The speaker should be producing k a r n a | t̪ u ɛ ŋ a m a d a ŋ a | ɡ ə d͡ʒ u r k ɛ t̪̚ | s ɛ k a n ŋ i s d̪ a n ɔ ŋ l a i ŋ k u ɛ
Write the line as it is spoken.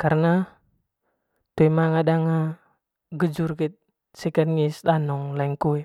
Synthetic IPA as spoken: k a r n a | t̪ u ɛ m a ŋ a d a ŋ a | ɡ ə d͡ʒ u r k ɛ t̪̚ | s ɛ k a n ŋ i s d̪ a n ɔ ŋ l a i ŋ k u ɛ

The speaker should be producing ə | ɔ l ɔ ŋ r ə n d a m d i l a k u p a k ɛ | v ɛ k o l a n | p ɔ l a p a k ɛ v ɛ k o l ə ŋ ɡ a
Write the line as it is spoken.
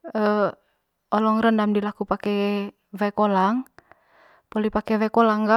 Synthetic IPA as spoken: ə | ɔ l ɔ ŋ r ə n d a m d i l a k u p a k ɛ | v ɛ k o l a ŋ | p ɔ l i p a k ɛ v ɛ k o l a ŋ ɡ a

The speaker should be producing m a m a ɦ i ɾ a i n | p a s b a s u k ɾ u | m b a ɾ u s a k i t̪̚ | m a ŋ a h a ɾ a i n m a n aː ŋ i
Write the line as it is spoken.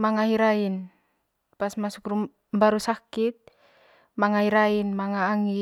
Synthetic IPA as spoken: m a ŋ a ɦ i ɾ a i n | p a s m a s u k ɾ u | m b a ɾ u s a k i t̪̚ | m a ŋ a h i ɾ a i n m a ŋ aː ŋ i

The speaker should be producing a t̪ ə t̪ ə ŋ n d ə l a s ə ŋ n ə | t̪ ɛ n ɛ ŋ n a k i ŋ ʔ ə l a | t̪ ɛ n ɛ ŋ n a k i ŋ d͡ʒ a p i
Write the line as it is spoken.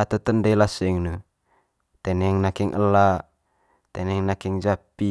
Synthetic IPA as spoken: a t̪ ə t̪ ə n d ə l a s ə ŋ n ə | t̪ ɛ n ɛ ŋ n a k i ŋ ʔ ə l a | t̪ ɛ n ɛ ŋ n a k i ŋ d͡ʒ a p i

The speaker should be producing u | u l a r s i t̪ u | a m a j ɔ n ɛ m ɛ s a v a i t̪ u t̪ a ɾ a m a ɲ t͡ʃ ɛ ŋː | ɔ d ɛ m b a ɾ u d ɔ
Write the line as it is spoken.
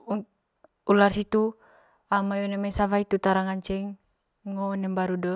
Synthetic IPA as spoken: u | u l a r s i t̪ u | a m a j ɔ n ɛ m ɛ s a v a i t̪ u t̪ a ɾ a ŋ a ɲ t͡ʃ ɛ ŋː | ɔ n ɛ m b a ɾ u d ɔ

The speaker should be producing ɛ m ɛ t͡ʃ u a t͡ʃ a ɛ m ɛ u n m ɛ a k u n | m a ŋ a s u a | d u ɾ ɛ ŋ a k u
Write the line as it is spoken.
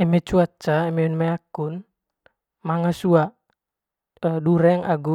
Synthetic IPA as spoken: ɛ m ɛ t͡ʃ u a t͡ʃ a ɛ m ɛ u n m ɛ a k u n | m a ŋ a s u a | d u ɾ ɛ ŋ a ɡ u

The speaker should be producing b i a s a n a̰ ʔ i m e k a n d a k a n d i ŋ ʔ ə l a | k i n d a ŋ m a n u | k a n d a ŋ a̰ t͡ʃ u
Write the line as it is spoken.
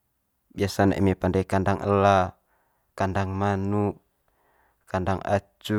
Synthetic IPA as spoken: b i a s a n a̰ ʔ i m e p a n d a k a n d a ŋ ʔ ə l a | k a n d a ŋ m a n u | k a n d a ŋ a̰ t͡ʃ u

